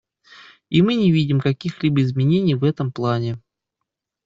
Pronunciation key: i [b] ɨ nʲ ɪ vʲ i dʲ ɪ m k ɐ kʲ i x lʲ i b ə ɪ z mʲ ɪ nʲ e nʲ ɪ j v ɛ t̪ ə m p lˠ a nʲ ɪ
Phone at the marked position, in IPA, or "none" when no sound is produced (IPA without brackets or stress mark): m